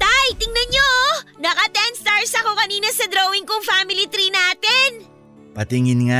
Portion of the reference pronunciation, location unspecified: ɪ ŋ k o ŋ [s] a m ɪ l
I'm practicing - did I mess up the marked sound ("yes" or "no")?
yes